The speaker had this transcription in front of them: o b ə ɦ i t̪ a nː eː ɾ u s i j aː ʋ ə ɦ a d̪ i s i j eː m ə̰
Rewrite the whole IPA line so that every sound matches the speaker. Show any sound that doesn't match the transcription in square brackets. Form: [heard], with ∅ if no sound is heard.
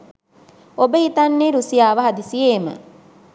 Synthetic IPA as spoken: o b ə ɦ i t̪ a nː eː ɾ u s i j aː ʋ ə ɦ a d̪ i s i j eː m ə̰